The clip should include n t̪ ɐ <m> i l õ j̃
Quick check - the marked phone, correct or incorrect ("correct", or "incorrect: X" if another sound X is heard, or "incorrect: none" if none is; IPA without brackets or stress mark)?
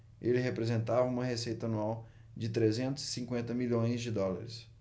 correct